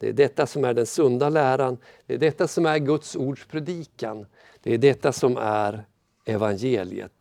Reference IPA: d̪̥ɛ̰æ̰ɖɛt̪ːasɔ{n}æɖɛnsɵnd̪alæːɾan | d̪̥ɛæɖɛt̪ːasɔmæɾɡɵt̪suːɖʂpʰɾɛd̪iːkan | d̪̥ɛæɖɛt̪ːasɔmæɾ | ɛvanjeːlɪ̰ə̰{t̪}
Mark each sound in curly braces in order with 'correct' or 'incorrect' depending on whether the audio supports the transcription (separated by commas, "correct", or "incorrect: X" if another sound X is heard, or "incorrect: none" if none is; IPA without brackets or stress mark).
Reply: incorrect: m, correct